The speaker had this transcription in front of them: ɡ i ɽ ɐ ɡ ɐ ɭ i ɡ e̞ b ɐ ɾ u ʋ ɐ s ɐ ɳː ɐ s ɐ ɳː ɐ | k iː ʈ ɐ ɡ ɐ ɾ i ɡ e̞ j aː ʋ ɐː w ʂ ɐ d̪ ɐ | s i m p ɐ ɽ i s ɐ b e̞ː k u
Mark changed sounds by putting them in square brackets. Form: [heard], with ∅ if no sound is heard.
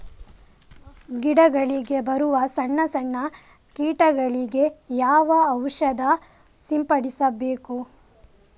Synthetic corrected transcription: ɡ i ɽ ɐ ɡ ɐ ɭ i ɡ e̞ b ɐ ɾ u ʋ ɐ s ɐ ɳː ɐ s ɐ ɳː ɐ | k iː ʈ ɐ ɡ ɐ [ɭ] i ɡ e̞ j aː ʋ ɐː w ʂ ɐ d̪ ɐ | s i m p ɐ ɽ i s ɐ b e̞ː k u